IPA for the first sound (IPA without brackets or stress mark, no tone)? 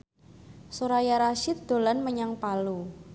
s